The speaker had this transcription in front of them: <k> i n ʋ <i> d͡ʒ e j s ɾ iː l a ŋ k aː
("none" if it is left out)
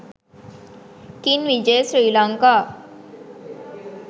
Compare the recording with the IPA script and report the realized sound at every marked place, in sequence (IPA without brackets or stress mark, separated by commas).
k, i